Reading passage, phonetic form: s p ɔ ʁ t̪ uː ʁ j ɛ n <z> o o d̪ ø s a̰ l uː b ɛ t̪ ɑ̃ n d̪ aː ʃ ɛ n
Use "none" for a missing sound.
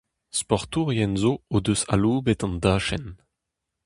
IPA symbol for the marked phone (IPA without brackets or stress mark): z